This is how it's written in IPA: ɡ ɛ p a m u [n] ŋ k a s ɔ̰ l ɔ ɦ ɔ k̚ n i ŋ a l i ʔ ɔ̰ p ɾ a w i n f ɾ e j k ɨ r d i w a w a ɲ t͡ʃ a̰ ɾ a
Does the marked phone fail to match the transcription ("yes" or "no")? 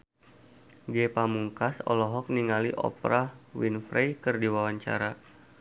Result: yes